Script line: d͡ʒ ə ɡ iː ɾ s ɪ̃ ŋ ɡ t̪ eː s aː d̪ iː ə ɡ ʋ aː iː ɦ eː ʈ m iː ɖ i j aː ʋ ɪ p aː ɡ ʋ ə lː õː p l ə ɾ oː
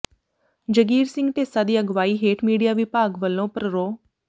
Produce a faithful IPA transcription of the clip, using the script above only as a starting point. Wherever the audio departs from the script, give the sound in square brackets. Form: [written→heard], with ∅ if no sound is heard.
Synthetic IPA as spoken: d͡ʒ ə ɡ iː ɾ s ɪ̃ ŋ ɡ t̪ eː s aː d̪ iː ə ɡ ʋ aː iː ɦ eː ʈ m iː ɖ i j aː ʋ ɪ p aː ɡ ʋ ə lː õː p [l→ɾ] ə ɾ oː